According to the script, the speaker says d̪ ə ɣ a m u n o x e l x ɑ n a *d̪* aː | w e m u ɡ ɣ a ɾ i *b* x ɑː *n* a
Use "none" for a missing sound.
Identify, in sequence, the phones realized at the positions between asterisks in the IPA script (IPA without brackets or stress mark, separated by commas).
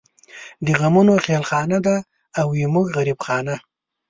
d̪, b, n